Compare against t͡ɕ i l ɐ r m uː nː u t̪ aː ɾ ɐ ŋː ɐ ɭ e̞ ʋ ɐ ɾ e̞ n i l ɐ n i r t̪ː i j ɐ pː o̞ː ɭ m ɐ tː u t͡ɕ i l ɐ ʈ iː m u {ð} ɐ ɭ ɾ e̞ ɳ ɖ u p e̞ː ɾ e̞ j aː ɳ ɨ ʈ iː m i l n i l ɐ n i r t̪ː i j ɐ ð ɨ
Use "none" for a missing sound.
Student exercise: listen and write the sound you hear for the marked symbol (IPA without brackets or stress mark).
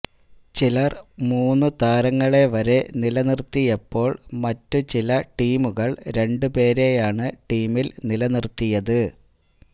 ɣ